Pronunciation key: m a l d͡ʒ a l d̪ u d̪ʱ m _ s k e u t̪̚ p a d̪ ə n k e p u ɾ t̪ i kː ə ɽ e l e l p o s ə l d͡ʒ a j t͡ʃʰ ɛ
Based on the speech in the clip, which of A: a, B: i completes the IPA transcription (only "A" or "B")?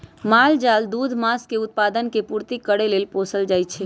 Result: A